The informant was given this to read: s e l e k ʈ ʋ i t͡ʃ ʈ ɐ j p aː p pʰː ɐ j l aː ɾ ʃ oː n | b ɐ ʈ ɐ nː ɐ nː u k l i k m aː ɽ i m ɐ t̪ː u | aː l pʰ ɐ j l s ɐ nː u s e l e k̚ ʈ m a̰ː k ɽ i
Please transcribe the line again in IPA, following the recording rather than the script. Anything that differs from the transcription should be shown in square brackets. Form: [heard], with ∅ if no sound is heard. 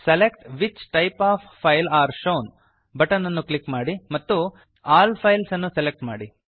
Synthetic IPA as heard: s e l e k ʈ ʋ i t͡ʃ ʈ ɐ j p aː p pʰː ɐ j l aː ɾ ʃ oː n | b ɐ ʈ ɐ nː ɐ nː u k l i k m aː ɽ i m ɐ t̪ː u | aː l pʰ ɐ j l s ɐ nː u s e l e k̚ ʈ m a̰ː [∅] ɽ i